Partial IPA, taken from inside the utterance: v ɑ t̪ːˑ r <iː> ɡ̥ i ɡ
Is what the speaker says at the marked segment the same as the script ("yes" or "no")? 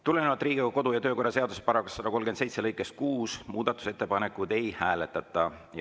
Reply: yes